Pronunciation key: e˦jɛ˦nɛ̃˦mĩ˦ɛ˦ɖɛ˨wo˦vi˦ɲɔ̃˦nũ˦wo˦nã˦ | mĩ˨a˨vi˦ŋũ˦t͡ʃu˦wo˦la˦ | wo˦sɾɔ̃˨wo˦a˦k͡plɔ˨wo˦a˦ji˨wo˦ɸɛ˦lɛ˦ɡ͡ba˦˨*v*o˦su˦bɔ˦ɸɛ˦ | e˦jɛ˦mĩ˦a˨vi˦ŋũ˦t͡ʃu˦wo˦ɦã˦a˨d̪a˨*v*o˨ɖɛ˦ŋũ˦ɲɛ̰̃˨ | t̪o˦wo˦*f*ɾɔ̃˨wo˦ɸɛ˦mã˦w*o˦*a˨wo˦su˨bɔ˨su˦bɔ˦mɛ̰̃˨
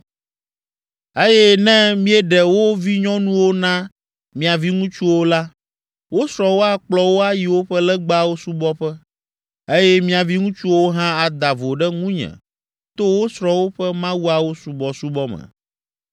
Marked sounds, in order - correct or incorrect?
incorrect, correct, incorrect, incorrect

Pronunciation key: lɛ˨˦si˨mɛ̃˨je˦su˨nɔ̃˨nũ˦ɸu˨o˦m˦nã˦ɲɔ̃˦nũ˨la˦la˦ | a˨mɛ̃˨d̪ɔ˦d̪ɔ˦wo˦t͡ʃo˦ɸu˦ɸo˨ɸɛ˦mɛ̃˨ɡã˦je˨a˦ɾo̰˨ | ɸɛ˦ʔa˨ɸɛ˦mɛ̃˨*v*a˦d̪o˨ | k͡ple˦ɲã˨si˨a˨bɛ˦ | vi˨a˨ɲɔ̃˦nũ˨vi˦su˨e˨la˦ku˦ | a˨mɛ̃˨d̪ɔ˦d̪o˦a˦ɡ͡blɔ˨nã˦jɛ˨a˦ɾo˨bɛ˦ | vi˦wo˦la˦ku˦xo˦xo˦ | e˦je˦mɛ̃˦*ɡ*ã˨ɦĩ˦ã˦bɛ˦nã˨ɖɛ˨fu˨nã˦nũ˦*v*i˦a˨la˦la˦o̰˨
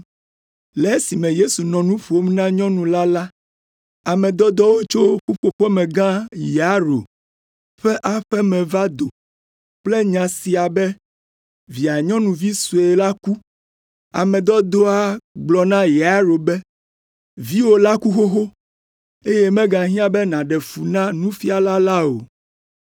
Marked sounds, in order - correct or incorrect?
correct, correct, incorrect

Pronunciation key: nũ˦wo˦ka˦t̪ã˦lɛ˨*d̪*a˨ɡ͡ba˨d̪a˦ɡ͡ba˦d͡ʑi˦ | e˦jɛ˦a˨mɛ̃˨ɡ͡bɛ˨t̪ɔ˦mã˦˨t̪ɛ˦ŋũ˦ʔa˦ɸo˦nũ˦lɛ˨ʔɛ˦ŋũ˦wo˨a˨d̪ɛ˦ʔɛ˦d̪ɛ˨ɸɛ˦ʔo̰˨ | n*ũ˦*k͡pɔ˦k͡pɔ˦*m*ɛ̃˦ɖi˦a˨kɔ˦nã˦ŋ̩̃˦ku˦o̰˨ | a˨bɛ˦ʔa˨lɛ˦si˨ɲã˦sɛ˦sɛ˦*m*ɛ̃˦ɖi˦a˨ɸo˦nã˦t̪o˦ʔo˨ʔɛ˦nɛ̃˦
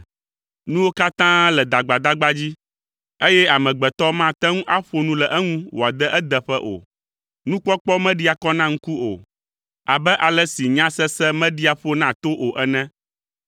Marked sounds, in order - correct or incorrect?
correct, correct, correct, correct

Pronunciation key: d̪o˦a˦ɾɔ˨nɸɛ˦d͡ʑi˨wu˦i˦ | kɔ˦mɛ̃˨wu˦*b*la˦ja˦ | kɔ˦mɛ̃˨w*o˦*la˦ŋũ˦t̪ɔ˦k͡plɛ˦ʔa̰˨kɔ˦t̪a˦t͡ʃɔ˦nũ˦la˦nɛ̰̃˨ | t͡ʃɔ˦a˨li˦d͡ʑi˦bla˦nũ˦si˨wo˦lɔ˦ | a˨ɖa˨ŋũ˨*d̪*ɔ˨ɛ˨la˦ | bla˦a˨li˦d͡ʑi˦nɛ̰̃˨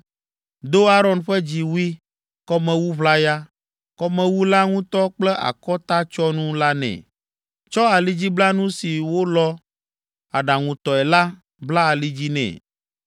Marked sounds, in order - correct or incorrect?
incorrect, incorrect, incorrect

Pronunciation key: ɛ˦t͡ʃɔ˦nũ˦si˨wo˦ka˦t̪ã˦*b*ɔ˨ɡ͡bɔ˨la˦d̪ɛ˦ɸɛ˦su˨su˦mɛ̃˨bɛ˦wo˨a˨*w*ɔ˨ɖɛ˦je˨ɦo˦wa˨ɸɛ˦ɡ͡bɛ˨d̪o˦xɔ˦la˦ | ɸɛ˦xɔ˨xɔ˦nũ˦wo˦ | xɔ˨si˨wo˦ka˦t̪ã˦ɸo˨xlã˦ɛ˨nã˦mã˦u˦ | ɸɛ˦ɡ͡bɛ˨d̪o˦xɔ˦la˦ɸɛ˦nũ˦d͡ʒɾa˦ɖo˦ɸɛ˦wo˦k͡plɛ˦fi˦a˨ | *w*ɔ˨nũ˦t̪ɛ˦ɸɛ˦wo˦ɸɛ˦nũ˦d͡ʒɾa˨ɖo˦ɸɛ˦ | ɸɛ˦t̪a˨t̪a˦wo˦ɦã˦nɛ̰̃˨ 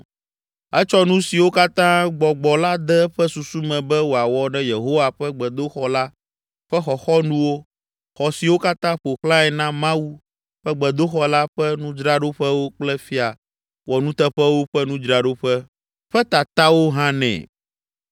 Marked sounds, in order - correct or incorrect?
incorrect, correct, correct

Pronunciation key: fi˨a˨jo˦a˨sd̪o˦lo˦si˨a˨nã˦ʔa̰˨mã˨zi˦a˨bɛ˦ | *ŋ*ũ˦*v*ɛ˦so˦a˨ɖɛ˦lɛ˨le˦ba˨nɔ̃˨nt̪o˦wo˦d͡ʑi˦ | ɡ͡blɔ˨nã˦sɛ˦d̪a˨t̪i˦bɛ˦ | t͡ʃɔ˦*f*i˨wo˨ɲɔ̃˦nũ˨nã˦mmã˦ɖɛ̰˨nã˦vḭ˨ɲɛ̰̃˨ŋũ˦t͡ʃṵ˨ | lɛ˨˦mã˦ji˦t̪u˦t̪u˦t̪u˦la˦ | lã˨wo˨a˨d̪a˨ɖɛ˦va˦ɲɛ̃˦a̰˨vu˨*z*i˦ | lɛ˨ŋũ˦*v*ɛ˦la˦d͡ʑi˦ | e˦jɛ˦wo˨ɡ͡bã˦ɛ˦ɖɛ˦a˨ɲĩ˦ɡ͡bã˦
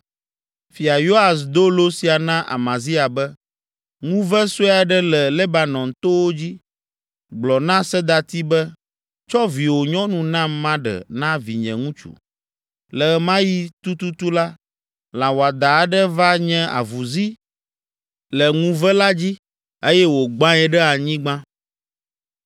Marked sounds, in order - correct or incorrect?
correct, correct, incorrect, correct, correct

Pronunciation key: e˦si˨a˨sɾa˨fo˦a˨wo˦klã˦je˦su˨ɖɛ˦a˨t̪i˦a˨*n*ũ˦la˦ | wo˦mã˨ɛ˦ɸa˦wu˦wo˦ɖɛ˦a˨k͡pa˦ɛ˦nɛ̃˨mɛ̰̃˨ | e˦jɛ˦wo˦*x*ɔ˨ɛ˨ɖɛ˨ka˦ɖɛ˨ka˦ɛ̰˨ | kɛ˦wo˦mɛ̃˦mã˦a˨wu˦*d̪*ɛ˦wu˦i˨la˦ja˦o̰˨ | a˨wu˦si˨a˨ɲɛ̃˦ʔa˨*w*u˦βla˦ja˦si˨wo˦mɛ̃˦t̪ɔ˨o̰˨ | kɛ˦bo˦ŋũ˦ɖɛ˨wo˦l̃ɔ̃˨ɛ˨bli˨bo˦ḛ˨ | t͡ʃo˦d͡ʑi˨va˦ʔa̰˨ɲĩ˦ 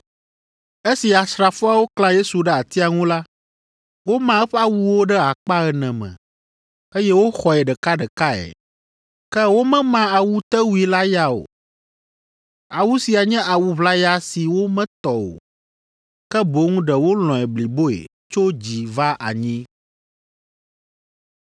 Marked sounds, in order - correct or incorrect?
incorrect, correct, incorrect, correct

